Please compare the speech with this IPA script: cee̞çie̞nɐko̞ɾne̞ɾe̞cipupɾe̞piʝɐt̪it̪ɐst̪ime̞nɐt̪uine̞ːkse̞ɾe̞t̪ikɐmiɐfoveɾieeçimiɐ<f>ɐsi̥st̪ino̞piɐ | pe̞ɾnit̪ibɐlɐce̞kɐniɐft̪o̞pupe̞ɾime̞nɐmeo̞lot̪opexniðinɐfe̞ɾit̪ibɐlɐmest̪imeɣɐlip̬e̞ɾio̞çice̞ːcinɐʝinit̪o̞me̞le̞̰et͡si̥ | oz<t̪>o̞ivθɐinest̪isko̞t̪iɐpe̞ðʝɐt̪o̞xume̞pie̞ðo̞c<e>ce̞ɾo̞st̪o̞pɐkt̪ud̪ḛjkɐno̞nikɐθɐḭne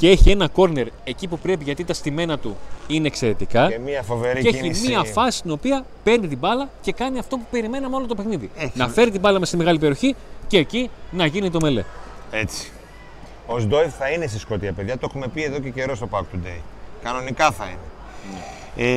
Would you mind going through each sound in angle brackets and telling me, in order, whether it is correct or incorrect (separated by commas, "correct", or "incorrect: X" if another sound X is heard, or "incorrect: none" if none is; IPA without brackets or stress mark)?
correct, incorrect: d̪, correct